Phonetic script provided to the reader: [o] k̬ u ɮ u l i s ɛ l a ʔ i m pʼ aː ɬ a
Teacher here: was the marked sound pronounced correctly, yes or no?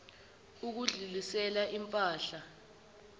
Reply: no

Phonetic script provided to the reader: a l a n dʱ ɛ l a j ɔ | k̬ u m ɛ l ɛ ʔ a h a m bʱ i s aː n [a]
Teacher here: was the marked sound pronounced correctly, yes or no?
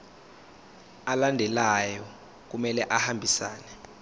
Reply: no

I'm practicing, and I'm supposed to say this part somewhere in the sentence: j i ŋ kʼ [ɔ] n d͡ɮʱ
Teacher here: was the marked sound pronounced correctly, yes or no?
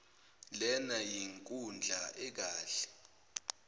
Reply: no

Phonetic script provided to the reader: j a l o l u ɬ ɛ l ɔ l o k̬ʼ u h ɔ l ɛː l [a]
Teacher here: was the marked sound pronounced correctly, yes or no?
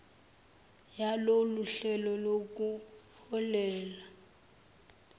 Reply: yes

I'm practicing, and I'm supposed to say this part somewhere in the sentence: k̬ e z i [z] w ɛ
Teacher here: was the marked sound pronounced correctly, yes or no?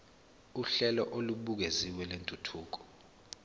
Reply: no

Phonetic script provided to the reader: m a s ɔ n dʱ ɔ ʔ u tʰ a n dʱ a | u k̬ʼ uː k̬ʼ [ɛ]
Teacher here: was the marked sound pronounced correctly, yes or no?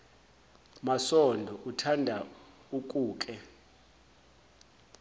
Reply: yes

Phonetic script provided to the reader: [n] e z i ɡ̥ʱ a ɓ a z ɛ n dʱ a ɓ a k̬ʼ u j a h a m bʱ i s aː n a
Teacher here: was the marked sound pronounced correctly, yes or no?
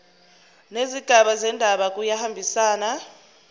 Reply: yes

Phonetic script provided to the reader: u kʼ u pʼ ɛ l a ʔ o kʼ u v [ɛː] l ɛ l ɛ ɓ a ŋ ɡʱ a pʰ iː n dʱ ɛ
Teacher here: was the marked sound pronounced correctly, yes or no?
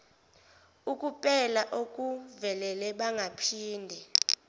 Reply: no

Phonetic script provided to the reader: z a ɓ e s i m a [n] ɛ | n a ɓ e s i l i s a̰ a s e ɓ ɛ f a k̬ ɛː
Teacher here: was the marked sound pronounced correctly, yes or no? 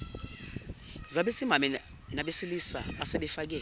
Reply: no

